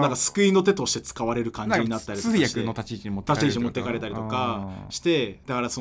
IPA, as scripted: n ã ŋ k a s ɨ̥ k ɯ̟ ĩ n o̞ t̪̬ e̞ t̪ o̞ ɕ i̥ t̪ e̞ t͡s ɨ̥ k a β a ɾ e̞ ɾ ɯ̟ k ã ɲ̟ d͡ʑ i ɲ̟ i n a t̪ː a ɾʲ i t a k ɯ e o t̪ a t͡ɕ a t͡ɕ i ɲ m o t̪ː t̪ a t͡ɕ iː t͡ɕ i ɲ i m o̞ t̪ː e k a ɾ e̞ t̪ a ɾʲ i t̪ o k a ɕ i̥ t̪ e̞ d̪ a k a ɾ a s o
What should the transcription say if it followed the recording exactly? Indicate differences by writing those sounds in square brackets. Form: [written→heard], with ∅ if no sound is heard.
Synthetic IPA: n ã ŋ k a s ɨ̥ k ɯ̟ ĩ n o̞ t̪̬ e̞ t̪ o̞ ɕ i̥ t̪ e̞ t͡s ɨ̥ k a β a ɾ e̞ ɾ ɯ̟ k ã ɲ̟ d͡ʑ i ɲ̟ i n a t̪ː a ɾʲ i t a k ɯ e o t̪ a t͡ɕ [a→i] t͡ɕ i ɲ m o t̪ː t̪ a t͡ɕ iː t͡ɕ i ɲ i m o̞ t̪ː e k a ɾ e̞ t̪ a ɾʲ i t̪ o k a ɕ i̥ t̪ e̞ d̪ a k a ɾ a s o